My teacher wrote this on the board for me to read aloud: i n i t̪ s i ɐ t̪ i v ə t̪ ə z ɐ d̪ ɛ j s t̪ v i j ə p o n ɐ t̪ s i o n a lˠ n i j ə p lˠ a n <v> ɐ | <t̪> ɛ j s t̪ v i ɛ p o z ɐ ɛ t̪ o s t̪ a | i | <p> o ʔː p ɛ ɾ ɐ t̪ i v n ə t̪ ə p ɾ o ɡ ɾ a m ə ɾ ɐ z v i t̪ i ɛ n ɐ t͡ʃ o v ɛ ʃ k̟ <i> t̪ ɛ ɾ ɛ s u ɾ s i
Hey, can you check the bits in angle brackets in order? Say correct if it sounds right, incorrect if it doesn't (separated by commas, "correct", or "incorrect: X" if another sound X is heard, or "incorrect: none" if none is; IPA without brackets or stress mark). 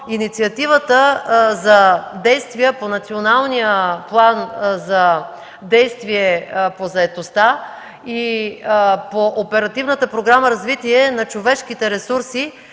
incorrect: z, incorrect: d̪, correct, correct